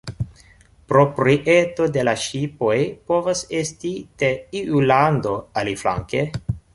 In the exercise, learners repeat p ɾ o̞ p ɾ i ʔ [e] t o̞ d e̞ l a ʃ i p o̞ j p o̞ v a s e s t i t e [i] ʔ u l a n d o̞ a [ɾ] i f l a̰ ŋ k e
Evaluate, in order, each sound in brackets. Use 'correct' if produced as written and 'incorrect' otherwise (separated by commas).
correct, correct, incorrect